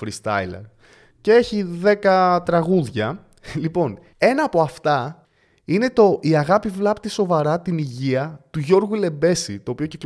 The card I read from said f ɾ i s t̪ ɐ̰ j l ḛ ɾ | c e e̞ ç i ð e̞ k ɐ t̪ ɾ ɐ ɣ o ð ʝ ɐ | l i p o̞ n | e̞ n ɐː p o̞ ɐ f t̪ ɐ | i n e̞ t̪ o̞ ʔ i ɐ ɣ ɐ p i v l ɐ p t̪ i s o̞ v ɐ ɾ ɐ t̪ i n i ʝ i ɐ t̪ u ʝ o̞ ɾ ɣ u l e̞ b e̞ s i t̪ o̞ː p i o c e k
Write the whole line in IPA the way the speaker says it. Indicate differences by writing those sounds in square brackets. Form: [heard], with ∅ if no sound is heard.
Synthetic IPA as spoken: f ɾ i s t̪ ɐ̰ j l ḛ ɾ | c e e̞ ç i ð e̞ k ɐ t̪ ɾ ɐ ɣ [u] ð ʝ ɐ | l i p o̞ n | e̞ n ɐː p o̞ ɐ f t̪ ɐ | i n e̞ t̪ o̞ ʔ i ɐ ɣ ɐ p i v l ɐ p t̪ i s o̞ v ɐ ɾ ɐ t̪ i n i ʝ i ɐ t̪ u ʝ o̞ ɾ ɣ u l e̞ b e̞ s i t̪ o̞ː p i o c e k